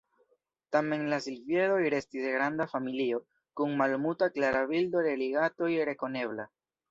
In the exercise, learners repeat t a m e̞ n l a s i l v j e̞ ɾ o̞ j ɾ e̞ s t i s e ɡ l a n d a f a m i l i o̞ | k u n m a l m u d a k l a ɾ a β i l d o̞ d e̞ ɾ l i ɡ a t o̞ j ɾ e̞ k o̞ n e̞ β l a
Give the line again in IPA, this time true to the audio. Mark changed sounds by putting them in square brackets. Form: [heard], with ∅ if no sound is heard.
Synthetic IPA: t a m e̞ n l a s i l v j e̞ ɾ o̞ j ɾ e̞ s t i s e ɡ [ɾ] a n d a f a m i l i o̞ | k u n m a l m u [t] a k l a ɾ a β i l d o̞ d e̞ [∅] l i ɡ a t o̞ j ɾ e̞ k o̞ n e̞ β l a